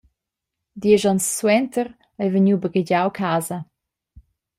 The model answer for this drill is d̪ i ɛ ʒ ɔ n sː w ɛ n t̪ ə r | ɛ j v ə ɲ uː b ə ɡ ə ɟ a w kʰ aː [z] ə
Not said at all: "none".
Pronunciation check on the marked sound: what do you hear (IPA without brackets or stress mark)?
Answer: z